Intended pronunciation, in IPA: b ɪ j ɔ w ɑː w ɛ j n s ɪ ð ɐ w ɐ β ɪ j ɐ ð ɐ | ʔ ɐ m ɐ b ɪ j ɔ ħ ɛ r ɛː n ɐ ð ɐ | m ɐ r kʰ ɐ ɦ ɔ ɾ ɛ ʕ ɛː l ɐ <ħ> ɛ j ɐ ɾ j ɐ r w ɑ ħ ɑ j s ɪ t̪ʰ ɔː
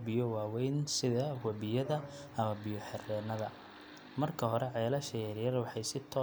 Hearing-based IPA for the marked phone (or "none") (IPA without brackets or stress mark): ʃ